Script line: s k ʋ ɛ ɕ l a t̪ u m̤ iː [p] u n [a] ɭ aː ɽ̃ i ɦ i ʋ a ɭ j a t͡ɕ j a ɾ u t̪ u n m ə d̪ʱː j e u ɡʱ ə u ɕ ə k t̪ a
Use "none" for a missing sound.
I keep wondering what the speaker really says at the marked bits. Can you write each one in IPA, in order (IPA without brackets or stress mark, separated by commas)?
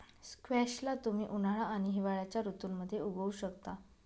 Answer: ʔ, a